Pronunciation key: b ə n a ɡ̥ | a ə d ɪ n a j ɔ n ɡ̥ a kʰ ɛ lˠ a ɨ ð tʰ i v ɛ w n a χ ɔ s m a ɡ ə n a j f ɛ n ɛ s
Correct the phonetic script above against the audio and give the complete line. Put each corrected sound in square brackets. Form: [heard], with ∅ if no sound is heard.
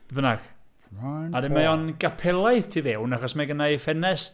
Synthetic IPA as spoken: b ə n a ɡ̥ | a [a] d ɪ [m] a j ɔ n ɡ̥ a [pʰ] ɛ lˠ a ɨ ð tʰ i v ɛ w n a χ ɔ s m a ɡ ə n a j f ɛ n ɛ s